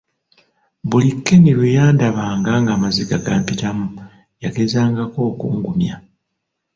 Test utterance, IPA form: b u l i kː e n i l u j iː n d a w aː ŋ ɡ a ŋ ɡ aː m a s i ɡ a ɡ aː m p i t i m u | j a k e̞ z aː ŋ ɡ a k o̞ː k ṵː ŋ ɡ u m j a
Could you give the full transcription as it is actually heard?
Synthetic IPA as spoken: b u l i kː e n i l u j aː n d a β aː ŋ ɡ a ŋ ɡ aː m a z i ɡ a ɡ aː m p i t a m u | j a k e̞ z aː ŋ ɡ a k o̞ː k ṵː ŋ ɡ u m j a